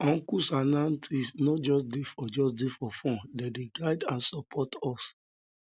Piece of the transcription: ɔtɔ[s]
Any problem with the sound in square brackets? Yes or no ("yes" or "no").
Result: no